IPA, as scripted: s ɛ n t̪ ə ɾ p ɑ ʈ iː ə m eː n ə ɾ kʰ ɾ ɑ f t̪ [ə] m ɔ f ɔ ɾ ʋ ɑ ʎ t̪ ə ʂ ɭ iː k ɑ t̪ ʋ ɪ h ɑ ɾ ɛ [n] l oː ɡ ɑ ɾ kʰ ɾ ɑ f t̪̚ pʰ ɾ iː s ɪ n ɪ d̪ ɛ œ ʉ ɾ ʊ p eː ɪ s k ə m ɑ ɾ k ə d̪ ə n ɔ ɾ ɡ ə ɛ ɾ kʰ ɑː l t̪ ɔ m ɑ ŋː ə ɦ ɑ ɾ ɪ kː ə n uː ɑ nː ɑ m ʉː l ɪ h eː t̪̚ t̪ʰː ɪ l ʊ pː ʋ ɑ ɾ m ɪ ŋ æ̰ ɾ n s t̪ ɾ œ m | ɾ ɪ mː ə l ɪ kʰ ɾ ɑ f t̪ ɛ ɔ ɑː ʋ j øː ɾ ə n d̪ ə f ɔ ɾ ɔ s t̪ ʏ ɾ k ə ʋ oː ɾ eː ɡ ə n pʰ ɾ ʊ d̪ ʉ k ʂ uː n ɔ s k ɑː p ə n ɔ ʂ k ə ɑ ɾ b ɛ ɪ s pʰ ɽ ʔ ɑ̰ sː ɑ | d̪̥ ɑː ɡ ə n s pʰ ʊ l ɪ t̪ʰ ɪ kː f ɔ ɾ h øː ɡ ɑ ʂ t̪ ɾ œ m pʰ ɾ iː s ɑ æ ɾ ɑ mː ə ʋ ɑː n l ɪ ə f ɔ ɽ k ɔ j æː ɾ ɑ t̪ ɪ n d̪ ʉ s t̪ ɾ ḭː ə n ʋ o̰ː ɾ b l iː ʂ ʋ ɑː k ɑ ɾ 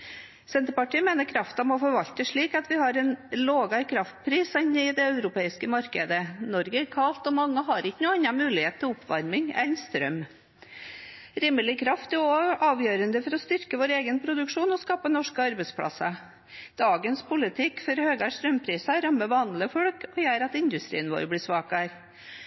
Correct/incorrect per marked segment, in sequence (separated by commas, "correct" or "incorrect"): incorrect, correct